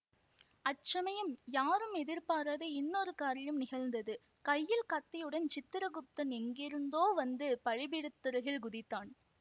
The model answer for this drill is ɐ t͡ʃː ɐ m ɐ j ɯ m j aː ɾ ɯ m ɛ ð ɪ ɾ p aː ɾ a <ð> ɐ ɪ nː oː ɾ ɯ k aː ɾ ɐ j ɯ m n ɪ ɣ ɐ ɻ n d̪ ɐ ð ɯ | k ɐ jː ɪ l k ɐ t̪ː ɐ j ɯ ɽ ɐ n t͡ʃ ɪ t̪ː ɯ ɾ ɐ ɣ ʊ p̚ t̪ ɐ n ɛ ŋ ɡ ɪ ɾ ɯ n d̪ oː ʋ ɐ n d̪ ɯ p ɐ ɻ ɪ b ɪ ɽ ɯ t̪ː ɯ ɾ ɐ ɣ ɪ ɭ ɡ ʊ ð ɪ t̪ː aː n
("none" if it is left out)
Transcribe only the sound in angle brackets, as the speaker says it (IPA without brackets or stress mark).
ð